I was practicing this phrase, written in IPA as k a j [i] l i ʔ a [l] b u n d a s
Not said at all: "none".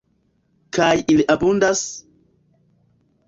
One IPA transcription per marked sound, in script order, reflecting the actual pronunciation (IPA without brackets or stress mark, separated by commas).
i, none